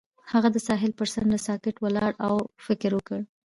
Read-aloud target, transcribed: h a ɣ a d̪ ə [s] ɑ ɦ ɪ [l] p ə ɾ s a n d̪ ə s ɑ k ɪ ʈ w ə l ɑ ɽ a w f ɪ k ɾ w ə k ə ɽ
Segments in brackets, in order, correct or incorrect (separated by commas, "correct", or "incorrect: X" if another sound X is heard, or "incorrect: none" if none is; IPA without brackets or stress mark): correct, correct